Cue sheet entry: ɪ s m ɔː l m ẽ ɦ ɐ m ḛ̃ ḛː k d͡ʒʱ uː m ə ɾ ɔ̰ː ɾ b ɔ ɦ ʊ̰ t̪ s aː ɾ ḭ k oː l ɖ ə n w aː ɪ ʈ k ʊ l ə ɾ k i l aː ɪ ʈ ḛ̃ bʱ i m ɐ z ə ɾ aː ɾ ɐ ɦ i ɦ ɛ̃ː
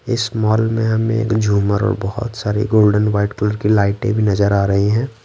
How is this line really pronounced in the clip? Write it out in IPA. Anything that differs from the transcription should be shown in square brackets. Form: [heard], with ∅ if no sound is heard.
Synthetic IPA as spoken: ɪ s m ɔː l m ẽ ɦ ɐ m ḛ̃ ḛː k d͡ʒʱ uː m ə ɾ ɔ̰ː ɾ b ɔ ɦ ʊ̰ t̪ s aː ɾ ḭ [ɡ] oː l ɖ ə n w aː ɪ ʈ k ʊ l ə ɾ k i l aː ɪ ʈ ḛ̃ bʱ i [n] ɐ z ə ɾ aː ɾ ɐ ɦ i ɦ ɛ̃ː